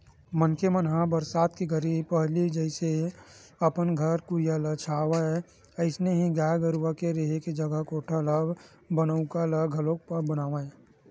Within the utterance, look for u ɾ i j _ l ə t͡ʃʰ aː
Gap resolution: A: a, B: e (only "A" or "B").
A